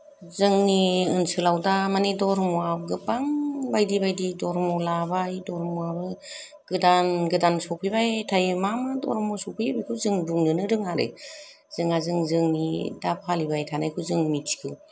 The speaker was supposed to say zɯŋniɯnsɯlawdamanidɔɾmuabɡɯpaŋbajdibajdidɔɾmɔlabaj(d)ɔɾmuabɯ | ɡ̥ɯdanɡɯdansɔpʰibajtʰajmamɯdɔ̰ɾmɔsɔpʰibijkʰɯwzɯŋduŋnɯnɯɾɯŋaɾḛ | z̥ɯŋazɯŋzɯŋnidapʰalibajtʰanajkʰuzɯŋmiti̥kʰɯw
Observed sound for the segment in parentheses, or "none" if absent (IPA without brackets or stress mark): d